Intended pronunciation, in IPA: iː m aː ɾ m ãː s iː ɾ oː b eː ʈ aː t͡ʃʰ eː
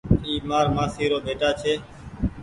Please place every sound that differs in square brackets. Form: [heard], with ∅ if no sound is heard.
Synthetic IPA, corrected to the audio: iː m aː ɾ m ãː s iː ɾ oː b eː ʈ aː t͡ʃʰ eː